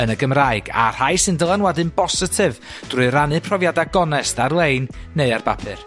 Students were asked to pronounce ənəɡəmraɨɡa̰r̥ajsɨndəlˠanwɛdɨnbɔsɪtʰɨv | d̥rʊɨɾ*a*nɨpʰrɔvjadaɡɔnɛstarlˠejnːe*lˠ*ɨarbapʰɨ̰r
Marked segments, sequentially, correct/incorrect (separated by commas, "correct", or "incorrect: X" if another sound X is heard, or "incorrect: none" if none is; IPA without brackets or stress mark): correct, incorrect: none